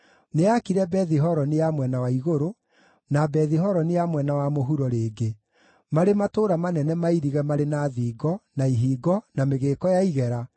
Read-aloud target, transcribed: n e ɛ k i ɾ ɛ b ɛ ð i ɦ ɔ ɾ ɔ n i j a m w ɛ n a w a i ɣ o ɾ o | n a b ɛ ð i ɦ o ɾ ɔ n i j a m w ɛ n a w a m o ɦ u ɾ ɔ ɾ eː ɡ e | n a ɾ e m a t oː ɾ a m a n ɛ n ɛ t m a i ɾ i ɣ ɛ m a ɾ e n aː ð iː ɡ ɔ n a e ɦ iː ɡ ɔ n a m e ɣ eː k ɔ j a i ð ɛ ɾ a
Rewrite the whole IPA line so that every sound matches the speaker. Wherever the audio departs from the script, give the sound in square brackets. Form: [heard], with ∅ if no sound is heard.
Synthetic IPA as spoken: n e [a] k i ɾ ɛ b ɛ ð i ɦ ɔ ɾ ɔ n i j a m w ɛ n a w a i ɣ o ɾ o | n a b ɛ ð i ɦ [ɔ] ɾ ɔ n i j a m w ɛ n a w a m o ɦ u ɾ ɔ ɾ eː ɡ e | [m] a ɾ e m a t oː ɾ a m a n ɛ n ɛ [∅] m a i ɾ i ɣ ɛ m a ɾ e n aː ð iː ɡ ɔ n a [i] ɦ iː ɡ ɔ n a m e ɣ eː k ɔ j a i [ɣ] ɛ ɾ a